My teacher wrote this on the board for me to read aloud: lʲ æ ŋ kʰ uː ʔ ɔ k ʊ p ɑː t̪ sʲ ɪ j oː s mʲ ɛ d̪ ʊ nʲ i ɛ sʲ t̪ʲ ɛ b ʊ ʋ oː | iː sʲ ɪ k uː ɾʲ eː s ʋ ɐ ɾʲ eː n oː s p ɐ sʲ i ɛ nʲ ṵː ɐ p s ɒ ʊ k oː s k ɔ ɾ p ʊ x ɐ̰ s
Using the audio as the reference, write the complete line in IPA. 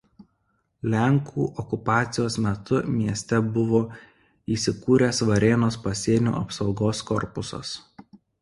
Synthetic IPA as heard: lʲ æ ŋ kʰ uː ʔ ɔ k ʊ p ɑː t̪ sʲ ɪ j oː s mʲ ɛ t̪ ʊ mʲ i ɛ sʲ t̪ʲ ɛ b ʊ ʋ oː | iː sʲ ɪ k uː ɾʲ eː s ʋ ɐ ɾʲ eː n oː s p ɐ sʲ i ɛ nʲ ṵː ɐ p s ɒ ʊ ɡ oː s k ɔ ɾ p ʊ s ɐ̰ s